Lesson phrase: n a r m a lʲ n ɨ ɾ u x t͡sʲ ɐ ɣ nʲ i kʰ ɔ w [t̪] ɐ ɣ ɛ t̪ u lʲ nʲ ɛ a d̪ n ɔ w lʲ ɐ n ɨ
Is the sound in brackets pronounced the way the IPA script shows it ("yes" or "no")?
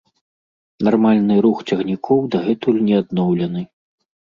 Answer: no